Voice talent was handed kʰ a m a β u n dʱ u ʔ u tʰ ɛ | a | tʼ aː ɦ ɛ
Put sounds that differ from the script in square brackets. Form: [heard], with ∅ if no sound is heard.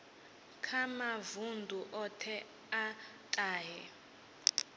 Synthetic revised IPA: kʰ a m a [v] u n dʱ u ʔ [ɔ] tʰ ɛ | a | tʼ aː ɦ ɛ